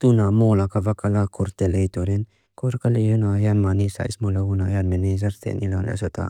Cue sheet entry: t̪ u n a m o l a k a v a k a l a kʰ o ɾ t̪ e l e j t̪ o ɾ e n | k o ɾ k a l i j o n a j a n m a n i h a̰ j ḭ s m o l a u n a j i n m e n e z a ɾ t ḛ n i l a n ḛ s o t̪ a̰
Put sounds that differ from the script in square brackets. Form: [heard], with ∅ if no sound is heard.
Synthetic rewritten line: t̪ u n a m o l a k a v a k a l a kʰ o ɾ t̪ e l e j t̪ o ɾ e n | k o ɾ k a l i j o n a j a n m a n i [s] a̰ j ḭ s m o l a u n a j [a] n m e n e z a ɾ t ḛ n i l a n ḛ s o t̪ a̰